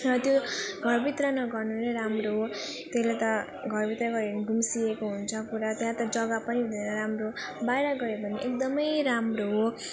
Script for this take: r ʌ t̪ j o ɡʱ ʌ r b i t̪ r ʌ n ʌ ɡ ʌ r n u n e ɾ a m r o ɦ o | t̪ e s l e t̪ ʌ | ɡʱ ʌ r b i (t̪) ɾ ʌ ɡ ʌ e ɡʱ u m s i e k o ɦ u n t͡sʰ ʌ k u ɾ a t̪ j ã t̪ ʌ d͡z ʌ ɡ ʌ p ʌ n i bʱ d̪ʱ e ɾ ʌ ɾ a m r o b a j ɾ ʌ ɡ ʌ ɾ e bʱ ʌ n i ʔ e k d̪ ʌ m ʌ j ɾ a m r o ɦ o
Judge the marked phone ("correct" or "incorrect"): correct